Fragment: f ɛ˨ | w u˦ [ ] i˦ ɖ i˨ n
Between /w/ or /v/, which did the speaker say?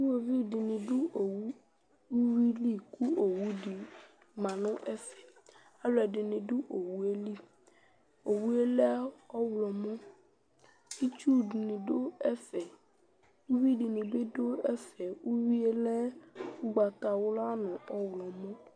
w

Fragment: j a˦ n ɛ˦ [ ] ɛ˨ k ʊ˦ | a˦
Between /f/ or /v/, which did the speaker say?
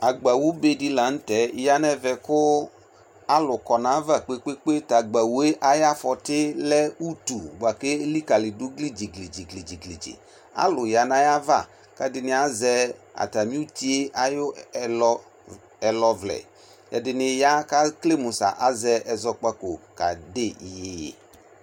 v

